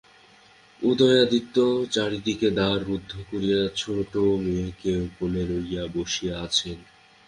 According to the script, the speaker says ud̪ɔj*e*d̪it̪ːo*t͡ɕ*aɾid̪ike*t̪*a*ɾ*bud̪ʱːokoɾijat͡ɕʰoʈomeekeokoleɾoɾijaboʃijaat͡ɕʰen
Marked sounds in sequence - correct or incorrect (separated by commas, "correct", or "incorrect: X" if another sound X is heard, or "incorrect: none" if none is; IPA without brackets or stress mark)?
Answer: incorrect: a, correct, incorrect: d̪, correct